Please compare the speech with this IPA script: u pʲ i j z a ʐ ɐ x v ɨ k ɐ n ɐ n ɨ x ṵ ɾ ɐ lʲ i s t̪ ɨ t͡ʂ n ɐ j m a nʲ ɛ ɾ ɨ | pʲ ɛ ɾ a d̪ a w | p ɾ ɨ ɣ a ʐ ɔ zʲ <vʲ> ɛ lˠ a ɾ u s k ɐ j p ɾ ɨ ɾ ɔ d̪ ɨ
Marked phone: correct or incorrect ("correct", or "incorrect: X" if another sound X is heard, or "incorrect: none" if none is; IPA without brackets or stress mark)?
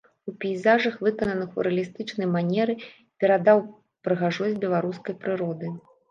incorrect: bʲ